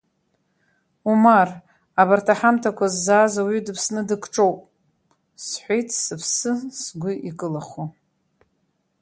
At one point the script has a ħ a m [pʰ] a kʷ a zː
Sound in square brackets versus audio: incorrect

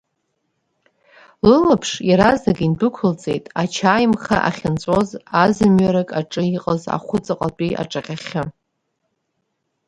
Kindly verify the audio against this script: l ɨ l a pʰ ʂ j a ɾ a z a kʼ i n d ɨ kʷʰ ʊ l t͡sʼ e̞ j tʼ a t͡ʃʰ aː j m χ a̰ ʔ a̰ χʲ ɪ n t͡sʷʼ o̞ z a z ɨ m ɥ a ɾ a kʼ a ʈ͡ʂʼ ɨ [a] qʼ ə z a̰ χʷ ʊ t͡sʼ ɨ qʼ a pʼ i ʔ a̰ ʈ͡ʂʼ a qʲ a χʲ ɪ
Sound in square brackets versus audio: incorrect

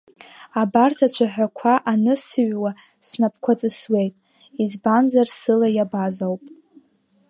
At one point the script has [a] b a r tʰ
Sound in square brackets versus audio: correct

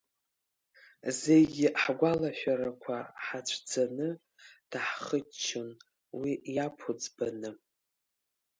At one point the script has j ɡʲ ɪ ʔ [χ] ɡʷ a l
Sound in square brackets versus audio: incorrect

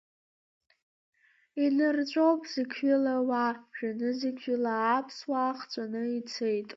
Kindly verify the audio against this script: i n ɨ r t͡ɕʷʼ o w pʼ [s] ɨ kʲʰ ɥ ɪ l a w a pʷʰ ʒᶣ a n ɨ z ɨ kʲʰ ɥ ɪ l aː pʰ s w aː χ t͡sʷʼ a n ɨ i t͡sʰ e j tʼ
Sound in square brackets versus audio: incorrect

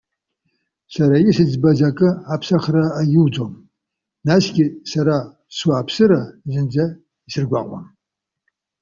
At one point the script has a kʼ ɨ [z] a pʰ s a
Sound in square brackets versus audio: incorrect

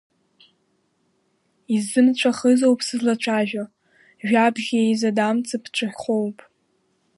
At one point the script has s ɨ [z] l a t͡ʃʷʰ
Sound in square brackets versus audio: correct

